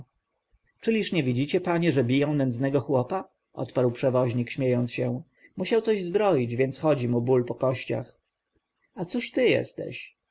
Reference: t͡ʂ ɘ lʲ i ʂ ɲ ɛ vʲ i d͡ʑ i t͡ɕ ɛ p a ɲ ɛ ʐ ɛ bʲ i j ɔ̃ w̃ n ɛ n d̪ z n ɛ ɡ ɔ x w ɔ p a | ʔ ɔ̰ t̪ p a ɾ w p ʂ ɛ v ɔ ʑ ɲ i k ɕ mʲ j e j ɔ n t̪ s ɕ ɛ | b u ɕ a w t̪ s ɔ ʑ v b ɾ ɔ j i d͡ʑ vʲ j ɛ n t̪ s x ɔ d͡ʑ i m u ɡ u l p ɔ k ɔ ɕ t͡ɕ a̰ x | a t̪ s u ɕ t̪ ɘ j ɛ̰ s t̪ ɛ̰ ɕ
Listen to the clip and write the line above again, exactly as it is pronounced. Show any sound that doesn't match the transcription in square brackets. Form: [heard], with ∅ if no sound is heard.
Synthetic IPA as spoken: t͡ʂ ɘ lʲ i ʂ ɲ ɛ vʲ i d͡ʑ i t͡ɕ ɛ p a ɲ ɛ ʐ ɛ bʲ i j ɔ̃ w̃ n ɛ n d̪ z n ɛ ɡ ɔ x w ɔ p a | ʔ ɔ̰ t̪ p a ɾ w p ʂ ɛ v ɔ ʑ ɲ i k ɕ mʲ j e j ɔ n t̪ s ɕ ɛ | [m] u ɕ a w t̪ s ɔ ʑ [z] b ɾ ɔ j i d͡ʑ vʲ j ɛ n t̪ s x ɔ d͡ʑ i m u [b] u l p ɔ k ɔ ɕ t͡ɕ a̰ x | a t̪ s u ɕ t̪ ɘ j ɛ̰ s t̪ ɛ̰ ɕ